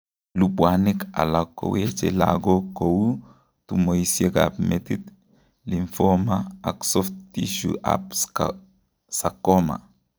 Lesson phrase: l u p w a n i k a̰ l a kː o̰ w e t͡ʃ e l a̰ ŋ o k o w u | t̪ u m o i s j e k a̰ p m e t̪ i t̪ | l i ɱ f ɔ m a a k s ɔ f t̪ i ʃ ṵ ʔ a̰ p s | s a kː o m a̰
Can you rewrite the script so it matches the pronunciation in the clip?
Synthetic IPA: l u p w a n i k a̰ l a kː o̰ w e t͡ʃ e l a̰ ɡ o k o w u | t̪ u m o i s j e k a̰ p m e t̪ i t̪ | l i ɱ f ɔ m a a k s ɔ f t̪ i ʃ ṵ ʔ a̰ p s | s a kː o m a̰